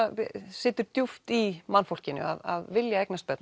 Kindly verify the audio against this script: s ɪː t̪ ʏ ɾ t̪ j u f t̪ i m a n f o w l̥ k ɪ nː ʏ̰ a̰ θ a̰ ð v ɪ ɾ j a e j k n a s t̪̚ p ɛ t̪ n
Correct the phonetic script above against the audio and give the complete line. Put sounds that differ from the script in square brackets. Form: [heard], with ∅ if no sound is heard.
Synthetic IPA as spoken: s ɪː t̪ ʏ ɾ t̪ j u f t̪ i m a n f o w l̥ [c] ɪ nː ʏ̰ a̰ [ð] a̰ ð v ɪ [l] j a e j k n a s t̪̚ p ɛ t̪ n